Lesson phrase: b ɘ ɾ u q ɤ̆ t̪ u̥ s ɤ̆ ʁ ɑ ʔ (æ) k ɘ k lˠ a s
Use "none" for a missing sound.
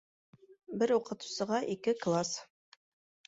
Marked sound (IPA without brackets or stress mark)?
i